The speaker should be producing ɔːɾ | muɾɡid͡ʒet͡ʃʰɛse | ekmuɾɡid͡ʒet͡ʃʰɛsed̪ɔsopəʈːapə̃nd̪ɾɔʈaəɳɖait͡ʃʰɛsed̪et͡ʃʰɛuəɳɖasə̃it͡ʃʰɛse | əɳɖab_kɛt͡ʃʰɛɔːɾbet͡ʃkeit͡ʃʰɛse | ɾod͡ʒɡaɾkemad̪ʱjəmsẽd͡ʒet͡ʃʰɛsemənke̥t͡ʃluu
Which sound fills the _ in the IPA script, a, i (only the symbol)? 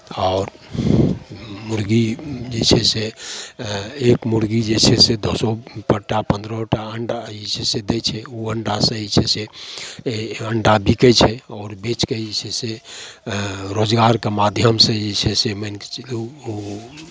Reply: i